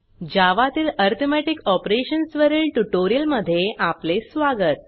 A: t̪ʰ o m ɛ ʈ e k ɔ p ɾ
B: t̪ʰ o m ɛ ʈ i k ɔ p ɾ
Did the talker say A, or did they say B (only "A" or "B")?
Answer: B